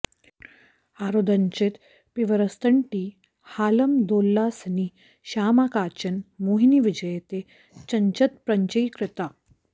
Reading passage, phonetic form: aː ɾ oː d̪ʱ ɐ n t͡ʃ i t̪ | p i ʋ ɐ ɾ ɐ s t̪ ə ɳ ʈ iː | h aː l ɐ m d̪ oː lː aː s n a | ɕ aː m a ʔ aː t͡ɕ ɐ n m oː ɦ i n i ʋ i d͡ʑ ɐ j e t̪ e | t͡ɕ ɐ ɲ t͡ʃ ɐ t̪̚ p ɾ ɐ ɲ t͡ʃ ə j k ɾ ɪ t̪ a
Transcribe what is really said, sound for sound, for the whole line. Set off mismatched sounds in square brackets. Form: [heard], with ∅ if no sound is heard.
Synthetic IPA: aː ɾ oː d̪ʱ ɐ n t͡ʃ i t̪ | p i ʋ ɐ ɾ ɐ s t̪ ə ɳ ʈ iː | h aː l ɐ m d̪ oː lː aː s n [i] | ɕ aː m a [k] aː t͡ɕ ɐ n m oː ɦ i n i ʋ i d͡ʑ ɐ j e t̪ e | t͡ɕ ɐ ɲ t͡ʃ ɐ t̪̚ p ɾ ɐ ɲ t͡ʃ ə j k ɾ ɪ t̪ a